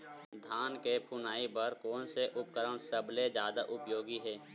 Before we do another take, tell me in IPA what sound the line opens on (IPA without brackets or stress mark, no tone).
d̪ʱ